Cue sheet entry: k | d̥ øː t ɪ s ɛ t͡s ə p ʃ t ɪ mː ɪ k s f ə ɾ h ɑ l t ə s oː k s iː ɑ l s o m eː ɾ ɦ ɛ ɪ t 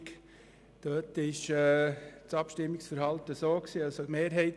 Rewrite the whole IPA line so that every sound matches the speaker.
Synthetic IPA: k | d̥ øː t ɪ ʃ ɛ t͡s ɑ p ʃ t ɪ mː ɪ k s f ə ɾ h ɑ l t ə s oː k s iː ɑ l s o m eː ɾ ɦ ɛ ɪ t